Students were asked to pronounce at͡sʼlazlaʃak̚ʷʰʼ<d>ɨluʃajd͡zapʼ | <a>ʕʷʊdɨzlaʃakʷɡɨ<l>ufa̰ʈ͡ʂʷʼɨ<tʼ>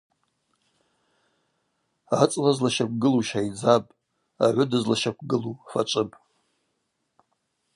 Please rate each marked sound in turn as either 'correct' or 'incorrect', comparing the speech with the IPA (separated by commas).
incorrect, correct, correct, incorrect